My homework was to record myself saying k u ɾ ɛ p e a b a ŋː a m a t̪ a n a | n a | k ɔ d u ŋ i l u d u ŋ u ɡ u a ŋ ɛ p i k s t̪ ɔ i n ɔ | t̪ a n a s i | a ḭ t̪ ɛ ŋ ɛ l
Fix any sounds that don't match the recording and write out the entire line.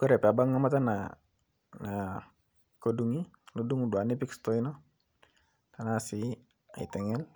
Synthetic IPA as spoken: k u ɾ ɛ p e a b a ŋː a m a t̪ a n a | n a | k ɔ d u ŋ i l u d u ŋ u d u a n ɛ p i k s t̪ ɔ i n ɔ | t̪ a n a s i | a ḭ t̪ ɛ ŋ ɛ l